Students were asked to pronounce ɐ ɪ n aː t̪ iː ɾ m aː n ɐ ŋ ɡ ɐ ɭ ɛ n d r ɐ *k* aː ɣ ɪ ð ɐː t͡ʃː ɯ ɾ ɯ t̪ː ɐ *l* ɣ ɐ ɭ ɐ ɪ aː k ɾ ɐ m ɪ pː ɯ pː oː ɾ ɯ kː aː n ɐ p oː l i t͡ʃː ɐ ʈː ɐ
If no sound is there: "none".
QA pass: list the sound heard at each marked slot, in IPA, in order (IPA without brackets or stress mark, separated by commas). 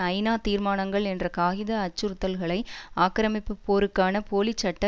k, l